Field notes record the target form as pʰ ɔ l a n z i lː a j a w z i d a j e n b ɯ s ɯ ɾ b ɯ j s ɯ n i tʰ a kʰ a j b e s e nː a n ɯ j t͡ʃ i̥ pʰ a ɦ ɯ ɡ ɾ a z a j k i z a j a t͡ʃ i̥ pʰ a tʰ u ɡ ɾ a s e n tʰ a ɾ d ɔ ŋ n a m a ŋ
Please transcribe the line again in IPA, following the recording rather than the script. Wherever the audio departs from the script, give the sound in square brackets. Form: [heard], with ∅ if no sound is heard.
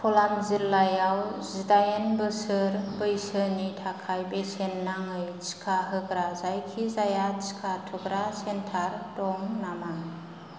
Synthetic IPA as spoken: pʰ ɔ l a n z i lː a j a w z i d a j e n b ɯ s ɯ ɾ b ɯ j s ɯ n i tʰ a kʰ a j b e s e nː a [ŋ] ɯ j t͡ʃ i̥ [kʰ] a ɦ ɯ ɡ ɾ a z a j [kʰ] i z a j a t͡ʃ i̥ [kʰ] a tʰ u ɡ ɾ a s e n tʰ a ɾ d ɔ ŋ n a m a ŋ